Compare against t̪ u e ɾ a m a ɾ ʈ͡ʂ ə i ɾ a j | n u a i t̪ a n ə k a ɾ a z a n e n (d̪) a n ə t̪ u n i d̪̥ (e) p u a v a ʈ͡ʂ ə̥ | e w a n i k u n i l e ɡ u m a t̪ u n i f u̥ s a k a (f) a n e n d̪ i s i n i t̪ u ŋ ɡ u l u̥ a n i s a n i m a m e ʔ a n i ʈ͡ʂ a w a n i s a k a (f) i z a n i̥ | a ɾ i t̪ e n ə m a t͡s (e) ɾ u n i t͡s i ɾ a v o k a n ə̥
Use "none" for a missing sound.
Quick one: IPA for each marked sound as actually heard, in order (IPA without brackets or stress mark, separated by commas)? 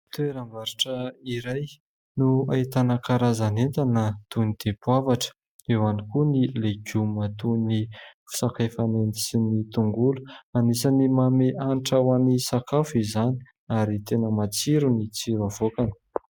t̪, e, f, f, i